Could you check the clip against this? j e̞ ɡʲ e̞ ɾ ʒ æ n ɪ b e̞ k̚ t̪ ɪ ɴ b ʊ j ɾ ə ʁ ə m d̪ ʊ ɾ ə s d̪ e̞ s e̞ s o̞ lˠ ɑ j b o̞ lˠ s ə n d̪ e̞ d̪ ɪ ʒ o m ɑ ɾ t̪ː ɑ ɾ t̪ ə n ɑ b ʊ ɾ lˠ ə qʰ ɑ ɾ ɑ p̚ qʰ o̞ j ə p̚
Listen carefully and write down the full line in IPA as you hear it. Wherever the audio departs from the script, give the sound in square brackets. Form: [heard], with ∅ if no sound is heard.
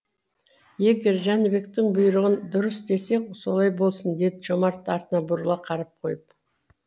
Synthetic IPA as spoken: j e̞ ɡʲ e̞ ɾ ʒ æ n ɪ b e̞ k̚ t̪ ɪ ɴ b ʊ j ɾ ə ʁ ə [n] d̪ ʊ ɾ ə s d̪ e̞ s e̞ s o̞ lˠ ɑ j b o̞ lˠ s ə n d̪ e̞ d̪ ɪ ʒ o m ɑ ɾ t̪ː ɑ ɾ t̪ ə n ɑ b ʊ ɾ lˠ [ɑ] qʰ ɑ ɾ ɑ p̚ qʰ o̞ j ə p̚